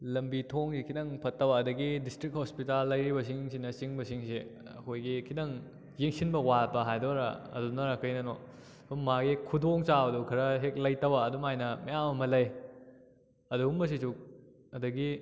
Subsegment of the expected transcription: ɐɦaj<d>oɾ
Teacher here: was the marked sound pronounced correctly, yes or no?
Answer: yes